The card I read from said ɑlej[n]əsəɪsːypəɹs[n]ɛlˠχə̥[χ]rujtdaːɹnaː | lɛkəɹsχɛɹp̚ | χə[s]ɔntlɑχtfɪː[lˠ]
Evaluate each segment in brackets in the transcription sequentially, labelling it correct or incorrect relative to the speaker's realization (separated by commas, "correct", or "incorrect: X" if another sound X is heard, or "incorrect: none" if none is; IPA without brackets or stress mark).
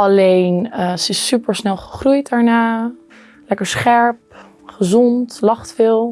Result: correct, correct, correct, incorrect: z, correct